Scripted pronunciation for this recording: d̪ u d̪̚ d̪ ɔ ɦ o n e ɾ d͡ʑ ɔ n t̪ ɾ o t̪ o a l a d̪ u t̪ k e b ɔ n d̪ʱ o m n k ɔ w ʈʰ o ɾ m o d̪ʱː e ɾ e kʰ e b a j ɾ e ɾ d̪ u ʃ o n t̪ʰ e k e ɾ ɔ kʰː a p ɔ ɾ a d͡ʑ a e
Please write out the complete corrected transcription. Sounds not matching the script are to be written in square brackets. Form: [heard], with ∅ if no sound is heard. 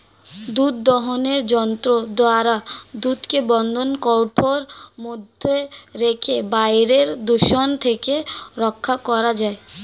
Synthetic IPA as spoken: d̪ u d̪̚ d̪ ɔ ɦ o n e ɾ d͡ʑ ɔ n t̪ ɾ o [d̪] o a [ɾ] a d̪ u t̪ k e b ɔ n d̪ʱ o [∅] n k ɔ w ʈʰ o ɾ m o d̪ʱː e ɾ e kʰ e b a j ɾ e ɾ d̪ u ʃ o n t̪ʰ e k e ɾ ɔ kʰː a [k] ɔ ɾ a d͡ʑ a e

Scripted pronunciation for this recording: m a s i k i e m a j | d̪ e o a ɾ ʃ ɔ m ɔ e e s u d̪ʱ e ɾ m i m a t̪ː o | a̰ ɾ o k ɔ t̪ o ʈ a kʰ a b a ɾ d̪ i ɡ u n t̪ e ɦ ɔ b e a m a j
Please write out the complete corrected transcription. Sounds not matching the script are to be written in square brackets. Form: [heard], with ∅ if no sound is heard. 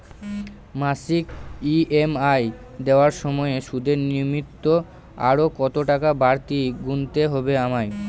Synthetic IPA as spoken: m a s i k i e m a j | d̪ e o a ɾ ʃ ɔ m ɔ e e [ʃ] u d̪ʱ e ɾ [n] i m [i] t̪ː o | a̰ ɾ o k ɔ t̪ o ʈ a [k] a b a ɾ [t̪] i ɡ u n t̪ e ɦ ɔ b e a m a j

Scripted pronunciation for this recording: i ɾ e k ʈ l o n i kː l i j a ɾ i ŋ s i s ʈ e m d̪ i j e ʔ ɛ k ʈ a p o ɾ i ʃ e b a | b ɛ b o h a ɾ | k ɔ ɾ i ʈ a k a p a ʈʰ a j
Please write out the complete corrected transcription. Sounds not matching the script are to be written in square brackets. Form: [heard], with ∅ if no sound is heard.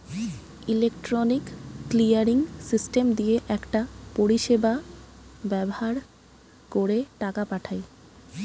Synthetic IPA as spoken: i [l] e k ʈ [ɾ] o n i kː l i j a ɾ i ŋ s i s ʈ e m d̪ i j e ʔ ɛ k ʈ a p o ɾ i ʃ e b a | b ɛ b o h a ɾ | k [o] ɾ [e] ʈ a k a p a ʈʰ a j

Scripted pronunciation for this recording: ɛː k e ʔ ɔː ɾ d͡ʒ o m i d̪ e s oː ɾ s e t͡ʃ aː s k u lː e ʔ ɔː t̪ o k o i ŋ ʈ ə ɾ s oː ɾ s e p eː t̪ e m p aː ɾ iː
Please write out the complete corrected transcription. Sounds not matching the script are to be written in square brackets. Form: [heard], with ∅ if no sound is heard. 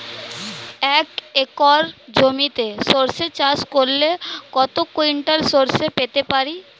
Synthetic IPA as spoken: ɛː k e [k] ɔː ɾ d͡ʒ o m i [t̪] e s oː ɾ s e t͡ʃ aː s k [o] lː e [k] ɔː t̪ o k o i [ɳ] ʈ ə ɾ s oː ɾ s e p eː t̪ e [∅] p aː ɾ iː

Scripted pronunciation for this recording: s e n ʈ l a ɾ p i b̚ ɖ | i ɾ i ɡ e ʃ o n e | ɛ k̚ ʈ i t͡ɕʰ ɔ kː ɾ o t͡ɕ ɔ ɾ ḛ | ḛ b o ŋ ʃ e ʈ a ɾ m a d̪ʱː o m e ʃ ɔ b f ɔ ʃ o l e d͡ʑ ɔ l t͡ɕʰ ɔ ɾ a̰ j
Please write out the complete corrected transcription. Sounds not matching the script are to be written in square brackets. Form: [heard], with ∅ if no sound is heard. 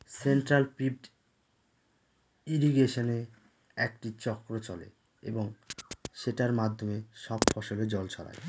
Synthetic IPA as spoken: s e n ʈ [ɾ] a [l] p i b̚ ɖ | i ɾ i ɡ e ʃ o n e | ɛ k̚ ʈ i [t͡ɕ] ɔ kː ɾ o t͡ɕ ɔ [l] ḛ | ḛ b o ŋ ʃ e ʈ a ɾ m a d̪ʱː o m e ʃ ɔ b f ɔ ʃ o l e d͡ʑ ɔ l t͡ɕʰ ɔ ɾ a̰ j

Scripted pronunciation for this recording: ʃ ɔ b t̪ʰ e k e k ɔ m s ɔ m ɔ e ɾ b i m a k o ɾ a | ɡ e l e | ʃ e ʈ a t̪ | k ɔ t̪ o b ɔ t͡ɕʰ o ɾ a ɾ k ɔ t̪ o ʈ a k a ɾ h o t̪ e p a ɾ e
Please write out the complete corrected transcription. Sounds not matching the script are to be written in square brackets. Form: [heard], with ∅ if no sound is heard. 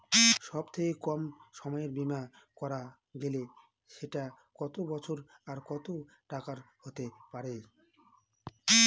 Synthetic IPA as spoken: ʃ ɔ b t̪ʰ e k e k ɔ m [ʃ] ɔ m ɔ e ɾ b i m a k [ɔ] ɾ a | ɡ e l e | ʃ e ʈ a [∅] | k ɔ t̪ o b ɔ t͡ɕʰ o ɾ a ɾ k ɔ t̪ o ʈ a k a ɾ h o t̪ e p a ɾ e

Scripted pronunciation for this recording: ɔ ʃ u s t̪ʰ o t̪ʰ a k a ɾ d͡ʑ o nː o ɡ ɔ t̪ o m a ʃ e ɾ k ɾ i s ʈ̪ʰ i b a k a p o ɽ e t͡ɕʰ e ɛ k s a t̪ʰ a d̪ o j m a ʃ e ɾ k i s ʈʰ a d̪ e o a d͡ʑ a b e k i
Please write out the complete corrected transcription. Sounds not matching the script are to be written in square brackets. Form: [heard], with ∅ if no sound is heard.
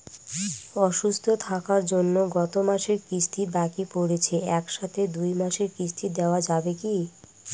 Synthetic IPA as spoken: ɔ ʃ u s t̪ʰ o t̪ʰ a k a ɾ d͡ʑ o nː o ɡ ɔ t̪ o m a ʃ e ɾ k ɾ i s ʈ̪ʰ i b a k [i] p o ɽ e t͡ɕʰ e ɛ k [ʃ] a t̪ʰ [e] d̪ [u] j m a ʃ e ɾ k i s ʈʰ [i] d̪ e o a d͡ʑ a b e k i

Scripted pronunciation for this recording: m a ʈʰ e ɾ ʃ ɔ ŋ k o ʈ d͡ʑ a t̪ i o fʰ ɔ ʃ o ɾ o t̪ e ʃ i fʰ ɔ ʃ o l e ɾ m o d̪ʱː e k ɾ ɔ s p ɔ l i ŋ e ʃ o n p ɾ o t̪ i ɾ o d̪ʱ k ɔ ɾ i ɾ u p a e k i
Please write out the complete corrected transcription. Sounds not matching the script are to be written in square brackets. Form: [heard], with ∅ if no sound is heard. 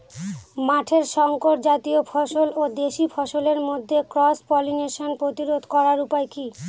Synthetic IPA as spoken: m a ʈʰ e ɾ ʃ ɔ ŋ k o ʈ d͡ʑ a t̪ i o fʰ ɔ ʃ o [l] o [d̪] e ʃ i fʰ ɔ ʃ o l e ɾ m o d̪ʱː e k ɾ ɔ s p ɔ l i [n] e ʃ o n p ɾ o t̪ i ɾ o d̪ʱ k ɔ ɾ [a] ɾ u p a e k i

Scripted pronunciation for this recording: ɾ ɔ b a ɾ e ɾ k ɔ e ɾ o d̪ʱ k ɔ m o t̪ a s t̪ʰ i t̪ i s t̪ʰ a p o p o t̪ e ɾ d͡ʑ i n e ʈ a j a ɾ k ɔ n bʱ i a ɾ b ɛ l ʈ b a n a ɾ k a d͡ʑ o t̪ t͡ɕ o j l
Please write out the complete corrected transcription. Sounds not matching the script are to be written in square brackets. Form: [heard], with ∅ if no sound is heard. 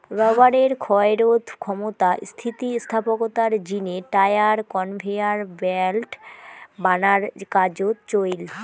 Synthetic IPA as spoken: ɾ ɔ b a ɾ e ɾ [kʰ] ɔ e ɾ o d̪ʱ [kʰ] ɔ m o t̪ a s t̪ʰ i t̪ i s t̪ʰ a p o [k] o t̪ [a] ɾ d͡ʑ i n e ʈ a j a ɾ k ɔ n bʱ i a ɾ b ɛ l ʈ b a n a ɾ k a d͡ʑ o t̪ t͡ɕ o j l

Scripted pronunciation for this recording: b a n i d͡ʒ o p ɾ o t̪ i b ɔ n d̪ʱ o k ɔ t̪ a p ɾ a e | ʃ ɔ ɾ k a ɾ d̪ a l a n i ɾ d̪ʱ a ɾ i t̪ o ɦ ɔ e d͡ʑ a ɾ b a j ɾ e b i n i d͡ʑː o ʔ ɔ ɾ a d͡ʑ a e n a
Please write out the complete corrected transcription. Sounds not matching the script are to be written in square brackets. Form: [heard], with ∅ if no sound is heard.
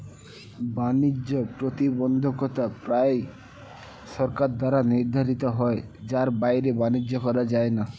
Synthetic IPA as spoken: b a n i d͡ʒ o p ɾ o t̪ i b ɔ n d̪ʱ o k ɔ t̪ a p ɾ a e | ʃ ɔ ɾ k a ɾ d̪ a [ɾ] a n i ɾ d̪ʱ a ɾ i t̪ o ɦ ɔ e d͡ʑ a ɾ b a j ɾ e b [a] n i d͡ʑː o [k] ɔ ɾ a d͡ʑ a e n a

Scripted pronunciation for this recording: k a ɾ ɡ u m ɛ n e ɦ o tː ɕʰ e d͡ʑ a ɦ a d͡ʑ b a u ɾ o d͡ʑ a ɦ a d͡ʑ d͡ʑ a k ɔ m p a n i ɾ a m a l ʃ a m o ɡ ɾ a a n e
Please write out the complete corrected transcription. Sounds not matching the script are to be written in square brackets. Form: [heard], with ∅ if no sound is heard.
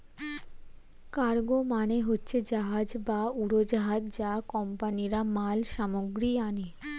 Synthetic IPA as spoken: k a ɾ ɡ [o] m [a] n e ɦ o tː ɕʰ e d͡ʑ a ɦ a d͡ʑ b a u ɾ o d͡ʑ a ɦ a d͡ʑ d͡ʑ a k ɔ m p a n i ɾ a m a l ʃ a m o ɡ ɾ [i] a n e

